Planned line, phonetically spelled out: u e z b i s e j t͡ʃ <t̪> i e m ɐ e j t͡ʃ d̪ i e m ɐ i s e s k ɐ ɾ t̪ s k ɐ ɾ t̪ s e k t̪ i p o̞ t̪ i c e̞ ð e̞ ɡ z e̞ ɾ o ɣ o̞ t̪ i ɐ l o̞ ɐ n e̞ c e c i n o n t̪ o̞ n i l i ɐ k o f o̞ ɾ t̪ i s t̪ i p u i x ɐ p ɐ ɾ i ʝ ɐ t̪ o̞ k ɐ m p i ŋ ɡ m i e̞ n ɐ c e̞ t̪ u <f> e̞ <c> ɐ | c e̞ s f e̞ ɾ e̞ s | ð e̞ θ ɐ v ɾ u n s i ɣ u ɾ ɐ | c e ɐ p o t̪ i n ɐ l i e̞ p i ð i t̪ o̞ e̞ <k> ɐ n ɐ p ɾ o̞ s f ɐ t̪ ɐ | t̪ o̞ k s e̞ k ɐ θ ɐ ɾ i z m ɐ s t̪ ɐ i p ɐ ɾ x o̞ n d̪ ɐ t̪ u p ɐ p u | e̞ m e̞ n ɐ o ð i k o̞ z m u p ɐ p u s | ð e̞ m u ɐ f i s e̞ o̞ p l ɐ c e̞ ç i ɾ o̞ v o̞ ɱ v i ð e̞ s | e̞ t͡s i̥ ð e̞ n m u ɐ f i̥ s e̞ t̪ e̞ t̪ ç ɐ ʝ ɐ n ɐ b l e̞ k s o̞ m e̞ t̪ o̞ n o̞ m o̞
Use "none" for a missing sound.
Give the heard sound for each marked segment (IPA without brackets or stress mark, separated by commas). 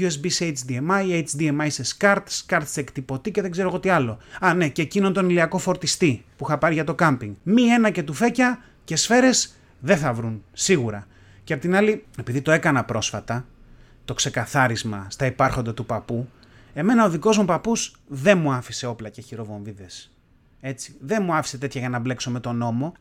d̪, f, c, k